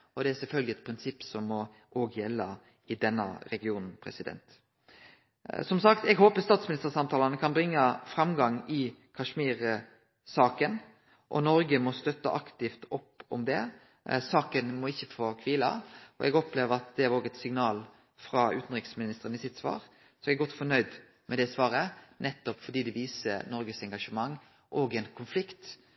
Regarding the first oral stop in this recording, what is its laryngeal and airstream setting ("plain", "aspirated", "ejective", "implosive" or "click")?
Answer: plain